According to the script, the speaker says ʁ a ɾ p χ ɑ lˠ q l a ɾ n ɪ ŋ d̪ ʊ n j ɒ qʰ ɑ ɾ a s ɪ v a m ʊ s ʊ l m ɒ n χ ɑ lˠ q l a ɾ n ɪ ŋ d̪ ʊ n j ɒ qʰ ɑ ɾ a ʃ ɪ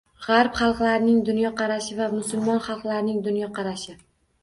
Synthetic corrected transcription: ʁ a ɾ p χ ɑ lˠ q l a ɾ n ɪ ŋ d̪ ʊ n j ɒ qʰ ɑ ɾ a ʃ ɪ v a m ʊ s ʊ l m ɒ n χ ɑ lˠ q l a ɾ n ɪ ŋ d̪ ʊ n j ɒ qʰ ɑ ɾ a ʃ ɪ